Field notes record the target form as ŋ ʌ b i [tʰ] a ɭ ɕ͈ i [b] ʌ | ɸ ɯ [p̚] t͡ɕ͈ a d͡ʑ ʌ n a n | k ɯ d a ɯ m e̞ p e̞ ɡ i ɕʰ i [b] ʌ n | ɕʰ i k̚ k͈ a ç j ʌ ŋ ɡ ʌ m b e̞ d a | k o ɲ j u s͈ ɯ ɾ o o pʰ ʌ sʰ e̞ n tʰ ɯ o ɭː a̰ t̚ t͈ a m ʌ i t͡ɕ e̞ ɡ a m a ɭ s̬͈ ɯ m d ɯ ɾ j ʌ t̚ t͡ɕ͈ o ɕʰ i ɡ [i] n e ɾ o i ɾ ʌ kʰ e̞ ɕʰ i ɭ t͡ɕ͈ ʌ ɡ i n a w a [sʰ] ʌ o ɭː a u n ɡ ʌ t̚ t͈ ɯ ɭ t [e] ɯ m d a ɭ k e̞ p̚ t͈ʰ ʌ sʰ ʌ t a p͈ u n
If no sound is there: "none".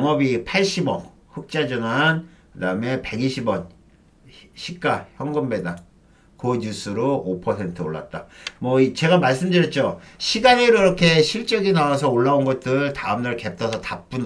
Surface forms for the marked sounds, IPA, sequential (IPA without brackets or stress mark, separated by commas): pʰ, b, k̚, b, a, sʰ, a